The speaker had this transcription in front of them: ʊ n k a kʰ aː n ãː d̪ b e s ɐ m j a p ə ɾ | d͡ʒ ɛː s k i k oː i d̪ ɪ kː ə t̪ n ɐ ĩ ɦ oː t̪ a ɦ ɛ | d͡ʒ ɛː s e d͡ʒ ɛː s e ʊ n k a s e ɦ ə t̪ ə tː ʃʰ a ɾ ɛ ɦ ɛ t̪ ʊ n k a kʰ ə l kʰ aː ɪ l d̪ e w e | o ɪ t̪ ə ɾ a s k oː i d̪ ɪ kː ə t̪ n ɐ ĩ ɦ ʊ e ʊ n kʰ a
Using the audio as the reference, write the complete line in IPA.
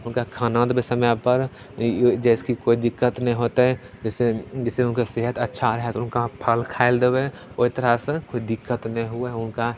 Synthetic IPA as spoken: ʊ n k a kʰ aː n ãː d̪ b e s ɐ m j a p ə ɾ | d͡ʒ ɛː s k i k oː i d̪ ɪ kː ə t̪ n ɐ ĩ ɦ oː t̪ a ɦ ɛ | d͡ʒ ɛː s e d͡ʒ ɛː s e ʊ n k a s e ɦ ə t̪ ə tː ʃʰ a ɾ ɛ ɦ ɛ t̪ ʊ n k a pʰ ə l kʰ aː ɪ l d̪ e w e | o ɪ t̪ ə ɾ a s k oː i d̪ ɪ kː ə t̪ n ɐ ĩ ɦ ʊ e ʊ n k a